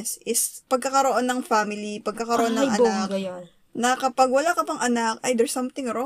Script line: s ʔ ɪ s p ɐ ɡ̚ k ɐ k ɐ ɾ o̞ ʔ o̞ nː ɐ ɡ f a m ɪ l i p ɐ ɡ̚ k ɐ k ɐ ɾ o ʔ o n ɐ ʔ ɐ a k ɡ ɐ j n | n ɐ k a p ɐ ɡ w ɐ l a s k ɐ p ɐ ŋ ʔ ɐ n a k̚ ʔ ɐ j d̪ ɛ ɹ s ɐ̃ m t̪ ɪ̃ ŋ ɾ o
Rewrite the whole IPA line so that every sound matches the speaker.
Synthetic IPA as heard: s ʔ ɪ s p ɐ ɡ̚ k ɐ k ɐ ɾ o̞ ʔ o̞ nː ɐ ŋ f a m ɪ l i p ɐ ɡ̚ k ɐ k ɐ ɾ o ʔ o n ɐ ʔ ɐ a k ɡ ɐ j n | n ɐ k ɐ p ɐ ɡ w ɐ l a k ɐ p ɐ ŋ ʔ ɐ n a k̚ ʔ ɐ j d̪ ɛ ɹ s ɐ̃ m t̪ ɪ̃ ŋ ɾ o